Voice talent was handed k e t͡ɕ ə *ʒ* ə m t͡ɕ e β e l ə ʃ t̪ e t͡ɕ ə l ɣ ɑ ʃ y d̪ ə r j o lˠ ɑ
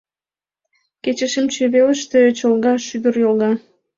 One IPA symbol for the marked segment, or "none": ʃ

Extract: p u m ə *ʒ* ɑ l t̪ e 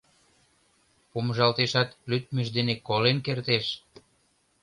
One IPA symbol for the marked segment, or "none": ʒ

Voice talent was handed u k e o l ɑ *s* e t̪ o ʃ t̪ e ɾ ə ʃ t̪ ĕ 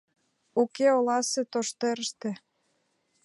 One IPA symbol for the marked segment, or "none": s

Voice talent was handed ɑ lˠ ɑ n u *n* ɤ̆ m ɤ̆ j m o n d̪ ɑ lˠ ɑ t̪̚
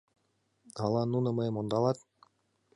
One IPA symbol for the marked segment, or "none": n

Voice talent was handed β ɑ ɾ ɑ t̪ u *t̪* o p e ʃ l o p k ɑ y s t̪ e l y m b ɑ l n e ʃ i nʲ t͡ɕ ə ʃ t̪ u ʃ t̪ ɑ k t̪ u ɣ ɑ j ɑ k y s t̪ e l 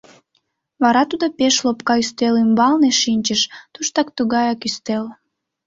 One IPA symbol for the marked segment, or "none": d̪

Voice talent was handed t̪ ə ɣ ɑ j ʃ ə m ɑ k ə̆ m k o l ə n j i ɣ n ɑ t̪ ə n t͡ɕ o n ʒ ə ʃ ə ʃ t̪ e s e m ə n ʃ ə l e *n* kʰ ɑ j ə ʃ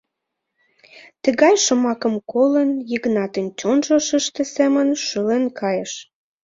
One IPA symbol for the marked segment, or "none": n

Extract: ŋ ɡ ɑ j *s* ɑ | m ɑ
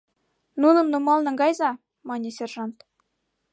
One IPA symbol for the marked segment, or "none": z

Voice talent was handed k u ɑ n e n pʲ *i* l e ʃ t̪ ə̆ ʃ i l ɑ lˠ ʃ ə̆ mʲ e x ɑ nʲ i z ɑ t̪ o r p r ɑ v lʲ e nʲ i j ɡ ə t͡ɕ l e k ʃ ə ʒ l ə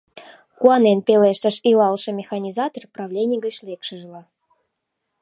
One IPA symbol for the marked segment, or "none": e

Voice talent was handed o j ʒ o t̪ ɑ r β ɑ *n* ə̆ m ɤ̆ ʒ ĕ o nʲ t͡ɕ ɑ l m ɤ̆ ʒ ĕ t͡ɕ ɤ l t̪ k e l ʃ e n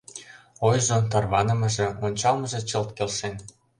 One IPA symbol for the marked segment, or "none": n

